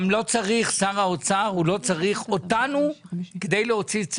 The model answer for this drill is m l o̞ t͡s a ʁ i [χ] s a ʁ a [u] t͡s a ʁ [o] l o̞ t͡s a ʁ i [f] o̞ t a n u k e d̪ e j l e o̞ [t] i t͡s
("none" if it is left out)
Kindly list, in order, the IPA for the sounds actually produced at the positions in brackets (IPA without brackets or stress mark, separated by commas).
χ, o, u, χ, t͡s